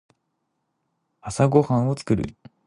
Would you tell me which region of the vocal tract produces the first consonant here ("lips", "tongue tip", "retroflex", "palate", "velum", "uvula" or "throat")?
tongue tip